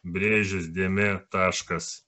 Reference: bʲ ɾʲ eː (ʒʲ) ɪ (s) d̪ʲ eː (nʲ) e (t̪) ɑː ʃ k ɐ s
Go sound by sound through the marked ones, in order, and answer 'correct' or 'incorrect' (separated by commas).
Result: correct, correct, incorrect, correct